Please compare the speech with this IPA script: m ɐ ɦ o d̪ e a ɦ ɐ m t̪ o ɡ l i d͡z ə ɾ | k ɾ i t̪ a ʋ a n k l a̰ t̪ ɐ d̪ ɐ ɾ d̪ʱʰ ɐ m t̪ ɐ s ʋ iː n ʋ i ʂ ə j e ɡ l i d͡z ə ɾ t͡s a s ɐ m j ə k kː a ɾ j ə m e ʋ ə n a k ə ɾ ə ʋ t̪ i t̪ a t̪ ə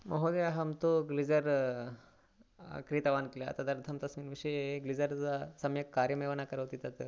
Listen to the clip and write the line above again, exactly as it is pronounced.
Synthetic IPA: m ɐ ɦ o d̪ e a ɦ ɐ m t̪ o ɡ l i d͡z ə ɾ | k ɾ i t̪ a ʋ a n k l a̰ t̪ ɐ d̪ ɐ ɾ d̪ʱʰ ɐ m t̪ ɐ s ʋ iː n ʋ i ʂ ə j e ɡ l i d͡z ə ɾ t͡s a s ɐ m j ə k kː a ɾ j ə m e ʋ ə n a k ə ɾ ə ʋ t̪ i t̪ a t̪ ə

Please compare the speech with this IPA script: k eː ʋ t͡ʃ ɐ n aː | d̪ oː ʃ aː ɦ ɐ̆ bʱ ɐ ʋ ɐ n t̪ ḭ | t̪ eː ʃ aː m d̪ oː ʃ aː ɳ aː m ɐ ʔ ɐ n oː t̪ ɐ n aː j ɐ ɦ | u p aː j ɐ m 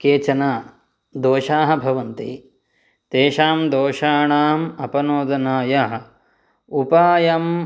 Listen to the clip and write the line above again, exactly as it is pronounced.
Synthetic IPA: k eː t͡ʃ ɐ n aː | d̪ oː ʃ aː ɦ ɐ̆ bʱ ɐ ʋ ɐ n t̪ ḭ | t̪ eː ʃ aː m d̪ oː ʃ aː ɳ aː m ɐ p ɐ n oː d̪ ɐ n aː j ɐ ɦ | u p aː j ɐ m

